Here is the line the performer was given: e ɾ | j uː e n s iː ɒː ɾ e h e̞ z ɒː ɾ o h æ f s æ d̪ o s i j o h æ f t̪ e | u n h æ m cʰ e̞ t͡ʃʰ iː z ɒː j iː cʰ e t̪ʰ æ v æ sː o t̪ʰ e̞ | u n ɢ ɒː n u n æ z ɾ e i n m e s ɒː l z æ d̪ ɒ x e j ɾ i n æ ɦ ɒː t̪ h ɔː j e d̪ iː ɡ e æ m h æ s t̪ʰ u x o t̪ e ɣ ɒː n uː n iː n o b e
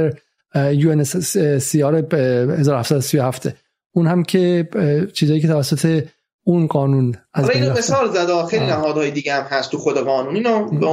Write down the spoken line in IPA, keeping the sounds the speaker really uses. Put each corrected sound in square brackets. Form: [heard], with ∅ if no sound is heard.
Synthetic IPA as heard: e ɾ | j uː e n s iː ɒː ɾ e h e̞ z ɒː ɾ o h æ f s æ d̪ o s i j o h æ f t̪ e | u n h æ m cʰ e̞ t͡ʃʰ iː z ɒː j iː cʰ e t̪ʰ æ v æ sː o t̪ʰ e̞ | u n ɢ ɒː n u n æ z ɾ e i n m e s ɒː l z æ d̪ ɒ x e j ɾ i n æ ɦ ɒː [d̪] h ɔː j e d̪ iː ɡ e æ m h æ s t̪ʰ u x o [d̪] e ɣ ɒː n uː n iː n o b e